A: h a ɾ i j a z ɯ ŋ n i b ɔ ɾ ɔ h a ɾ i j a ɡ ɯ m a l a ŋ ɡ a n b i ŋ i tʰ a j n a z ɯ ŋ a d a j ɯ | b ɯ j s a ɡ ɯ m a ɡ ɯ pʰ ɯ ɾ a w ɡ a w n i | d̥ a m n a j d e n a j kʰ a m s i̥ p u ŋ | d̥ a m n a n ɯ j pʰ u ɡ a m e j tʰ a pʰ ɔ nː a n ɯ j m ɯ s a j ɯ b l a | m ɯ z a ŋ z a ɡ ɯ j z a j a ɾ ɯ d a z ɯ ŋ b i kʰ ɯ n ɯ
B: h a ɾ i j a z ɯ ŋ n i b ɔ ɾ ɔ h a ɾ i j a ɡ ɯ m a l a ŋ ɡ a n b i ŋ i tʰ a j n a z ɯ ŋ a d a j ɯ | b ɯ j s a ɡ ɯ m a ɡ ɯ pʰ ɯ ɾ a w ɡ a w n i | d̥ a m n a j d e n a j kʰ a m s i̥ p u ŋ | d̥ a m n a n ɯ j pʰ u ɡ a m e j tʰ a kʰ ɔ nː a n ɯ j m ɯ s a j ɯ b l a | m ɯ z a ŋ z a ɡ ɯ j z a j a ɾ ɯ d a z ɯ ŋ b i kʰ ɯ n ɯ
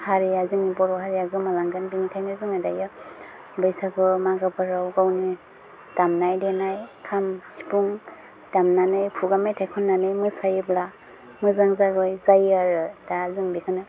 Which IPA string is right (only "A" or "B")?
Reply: B